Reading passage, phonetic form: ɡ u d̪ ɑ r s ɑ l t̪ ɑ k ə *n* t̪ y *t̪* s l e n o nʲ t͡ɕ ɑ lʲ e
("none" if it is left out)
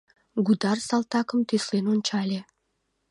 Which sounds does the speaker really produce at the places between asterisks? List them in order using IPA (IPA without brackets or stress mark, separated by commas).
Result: m, none